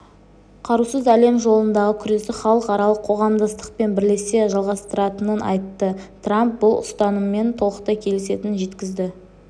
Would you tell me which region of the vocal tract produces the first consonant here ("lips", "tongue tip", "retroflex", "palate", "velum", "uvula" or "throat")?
uvula